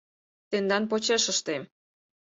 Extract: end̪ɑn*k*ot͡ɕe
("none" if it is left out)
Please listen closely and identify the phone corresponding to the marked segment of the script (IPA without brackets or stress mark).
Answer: p